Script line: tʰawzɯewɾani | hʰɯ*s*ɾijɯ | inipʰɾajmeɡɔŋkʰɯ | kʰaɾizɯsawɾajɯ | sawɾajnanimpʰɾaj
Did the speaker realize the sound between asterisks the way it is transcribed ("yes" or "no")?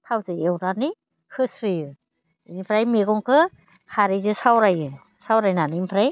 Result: yes